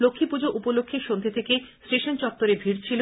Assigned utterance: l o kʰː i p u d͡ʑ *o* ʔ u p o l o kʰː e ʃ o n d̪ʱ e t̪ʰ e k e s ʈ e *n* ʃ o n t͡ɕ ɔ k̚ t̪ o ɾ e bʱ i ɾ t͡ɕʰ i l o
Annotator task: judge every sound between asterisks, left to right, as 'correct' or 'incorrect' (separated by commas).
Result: correct, incorrect